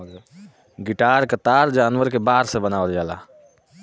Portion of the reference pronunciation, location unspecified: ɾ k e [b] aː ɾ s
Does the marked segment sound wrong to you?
no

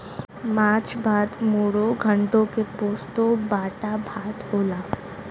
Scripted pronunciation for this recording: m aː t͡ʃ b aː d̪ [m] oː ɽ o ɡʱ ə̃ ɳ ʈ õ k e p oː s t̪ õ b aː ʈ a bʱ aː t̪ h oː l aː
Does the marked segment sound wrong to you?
no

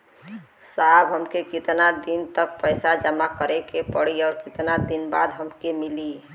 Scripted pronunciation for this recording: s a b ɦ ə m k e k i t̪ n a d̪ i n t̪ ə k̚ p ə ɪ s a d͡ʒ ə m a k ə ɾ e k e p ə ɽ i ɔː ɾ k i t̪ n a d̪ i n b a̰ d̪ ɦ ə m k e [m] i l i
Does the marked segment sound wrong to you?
no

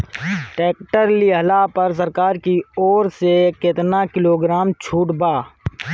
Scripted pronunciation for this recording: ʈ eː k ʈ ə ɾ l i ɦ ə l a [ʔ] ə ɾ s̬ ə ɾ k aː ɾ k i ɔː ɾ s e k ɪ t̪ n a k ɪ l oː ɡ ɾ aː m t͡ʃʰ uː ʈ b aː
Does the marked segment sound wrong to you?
yes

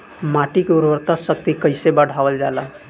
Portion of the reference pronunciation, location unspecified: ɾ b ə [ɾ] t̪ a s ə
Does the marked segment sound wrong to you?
no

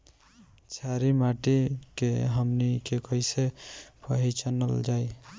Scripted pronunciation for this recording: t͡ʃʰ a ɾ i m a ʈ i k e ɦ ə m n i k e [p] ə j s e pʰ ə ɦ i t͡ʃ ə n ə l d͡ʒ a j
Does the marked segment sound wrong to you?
yes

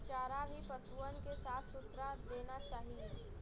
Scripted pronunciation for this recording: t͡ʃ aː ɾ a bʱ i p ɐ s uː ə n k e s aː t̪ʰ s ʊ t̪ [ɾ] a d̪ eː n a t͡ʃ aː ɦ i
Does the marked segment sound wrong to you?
no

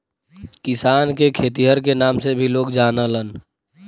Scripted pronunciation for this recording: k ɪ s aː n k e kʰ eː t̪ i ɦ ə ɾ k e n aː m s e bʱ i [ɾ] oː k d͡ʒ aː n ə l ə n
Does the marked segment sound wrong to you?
yes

